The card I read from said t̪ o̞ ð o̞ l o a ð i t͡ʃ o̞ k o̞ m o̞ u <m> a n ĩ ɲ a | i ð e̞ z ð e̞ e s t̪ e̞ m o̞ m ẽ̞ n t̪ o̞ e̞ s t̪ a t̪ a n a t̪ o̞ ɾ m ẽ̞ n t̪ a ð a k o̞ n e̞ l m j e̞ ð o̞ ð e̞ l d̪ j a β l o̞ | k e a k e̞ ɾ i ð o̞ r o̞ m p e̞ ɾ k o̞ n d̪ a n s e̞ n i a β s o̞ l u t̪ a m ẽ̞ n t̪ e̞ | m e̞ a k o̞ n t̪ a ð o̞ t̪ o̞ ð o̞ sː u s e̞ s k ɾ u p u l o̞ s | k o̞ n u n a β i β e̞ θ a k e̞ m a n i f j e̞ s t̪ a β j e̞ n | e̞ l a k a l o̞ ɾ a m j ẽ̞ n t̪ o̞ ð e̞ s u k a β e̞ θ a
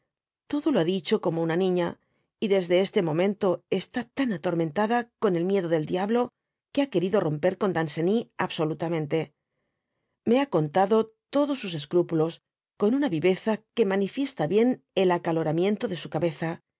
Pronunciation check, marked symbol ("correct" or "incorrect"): incorrect